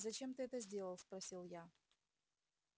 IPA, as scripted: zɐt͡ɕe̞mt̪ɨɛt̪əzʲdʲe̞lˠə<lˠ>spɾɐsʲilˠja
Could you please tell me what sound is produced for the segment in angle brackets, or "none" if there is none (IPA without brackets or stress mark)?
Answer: lˠ